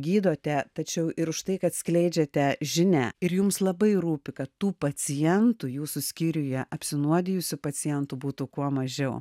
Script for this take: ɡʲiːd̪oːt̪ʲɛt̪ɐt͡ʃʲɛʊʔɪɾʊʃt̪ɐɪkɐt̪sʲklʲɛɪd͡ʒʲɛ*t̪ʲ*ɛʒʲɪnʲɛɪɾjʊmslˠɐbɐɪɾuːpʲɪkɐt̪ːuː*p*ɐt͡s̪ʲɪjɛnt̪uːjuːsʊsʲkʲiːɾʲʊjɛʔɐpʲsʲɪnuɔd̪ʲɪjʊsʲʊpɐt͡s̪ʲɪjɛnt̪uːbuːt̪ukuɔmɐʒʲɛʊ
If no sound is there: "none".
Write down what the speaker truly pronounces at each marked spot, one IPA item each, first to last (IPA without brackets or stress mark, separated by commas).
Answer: t̪ʲ, p